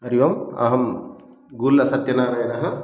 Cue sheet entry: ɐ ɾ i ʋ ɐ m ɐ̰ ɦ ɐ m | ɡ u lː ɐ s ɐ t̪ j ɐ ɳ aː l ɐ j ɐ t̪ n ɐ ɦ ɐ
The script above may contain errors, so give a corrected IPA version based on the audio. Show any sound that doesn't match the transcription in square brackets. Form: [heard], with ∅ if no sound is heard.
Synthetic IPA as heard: ɐ ɾ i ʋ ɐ m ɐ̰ ɦ ɐ m | ɡ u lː ɐ s ɐ t̪ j ɐ [n] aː [ɾ] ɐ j ɐ [∅] n ɐ ɦ ɐ